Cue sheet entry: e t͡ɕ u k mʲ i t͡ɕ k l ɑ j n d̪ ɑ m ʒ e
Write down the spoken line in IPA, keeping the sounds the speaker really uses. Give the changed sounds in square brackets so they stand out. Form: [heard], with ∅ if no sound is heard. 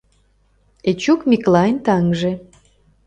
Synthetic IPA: e t͡ɕ u k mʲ i [∅] k l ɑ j n [t̪] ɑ [ŋ] ʒ e